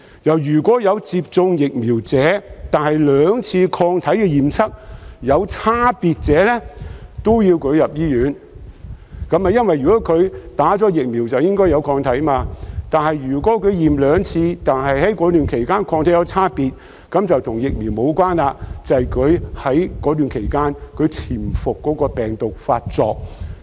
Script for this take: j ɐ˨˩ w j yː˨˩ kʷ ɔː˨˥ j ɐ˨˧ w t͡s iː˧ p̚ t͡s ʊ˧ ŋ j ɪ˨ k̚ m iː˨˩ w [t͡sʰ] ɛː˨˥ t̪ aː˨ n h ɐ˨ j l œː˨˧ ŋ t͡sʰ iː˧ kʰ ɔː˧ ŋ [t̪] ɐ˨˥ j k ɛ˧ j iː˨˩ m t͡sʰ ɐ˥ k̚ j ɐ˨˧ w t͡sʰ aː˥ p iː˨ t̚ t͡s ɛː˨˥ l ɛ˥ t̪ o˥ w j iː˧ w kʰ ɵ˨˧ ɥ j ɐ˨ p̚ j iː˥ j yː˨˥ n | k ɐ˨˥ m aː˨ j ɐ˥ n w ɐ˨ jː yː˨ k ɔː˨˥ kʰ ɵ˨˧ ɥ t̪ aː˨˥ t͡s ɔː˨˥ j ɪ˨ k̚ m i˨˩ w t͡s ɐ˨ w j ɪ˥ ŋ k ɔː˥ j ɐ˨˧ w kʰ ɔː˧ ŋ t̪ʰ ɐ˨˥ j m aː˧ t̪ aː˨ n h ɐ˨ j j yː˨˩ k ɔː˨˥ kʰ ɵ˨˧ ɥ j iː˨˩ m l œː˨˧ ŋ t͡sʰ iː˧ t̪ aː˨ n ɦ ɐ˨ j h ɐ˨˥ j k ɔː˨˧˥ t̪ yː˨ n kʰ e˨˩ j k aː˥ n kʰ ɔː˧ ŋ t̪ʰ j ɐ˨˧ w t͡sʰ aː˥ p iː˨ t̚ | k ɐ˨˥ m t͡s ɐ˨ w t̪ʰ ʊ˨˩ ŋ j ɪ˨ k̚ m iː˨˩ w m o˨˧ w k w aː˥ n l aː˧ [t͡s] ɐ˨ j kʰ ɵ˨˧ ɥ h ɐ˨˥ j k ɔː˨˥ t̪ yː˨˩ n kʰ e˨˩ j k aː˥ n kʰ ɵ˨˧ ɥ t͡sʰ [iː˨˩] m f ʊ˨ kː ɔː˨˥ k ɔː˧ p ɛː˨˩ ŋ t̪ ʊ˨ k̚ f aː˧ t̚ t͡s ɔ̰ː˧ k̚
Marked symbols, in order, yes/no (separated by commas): no, no, yes, yes